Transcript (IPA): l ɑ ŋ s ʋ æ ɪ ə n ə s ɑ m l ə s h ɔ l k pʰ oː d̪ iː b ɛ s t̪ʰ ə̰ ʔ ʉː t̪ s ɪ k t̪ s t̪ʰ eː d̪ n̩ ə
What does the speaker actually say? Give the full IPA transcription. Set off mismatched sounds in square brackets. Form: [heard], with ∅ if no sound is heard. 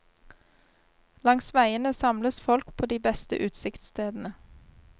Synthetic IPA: l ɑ ŋ s ʋ æ ɪ ə n ə s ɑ m l ə s [f] ɔ l k pʰ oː d̪ iː b ɛ s [t̪] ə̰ ʔ ʉː t̪ s ɪ k t̪ s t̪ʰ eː d̪ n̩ ə